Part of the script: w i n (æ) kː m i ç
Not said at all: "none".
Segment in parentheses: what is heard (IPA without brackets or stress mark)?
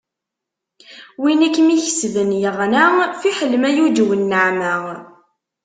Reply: æ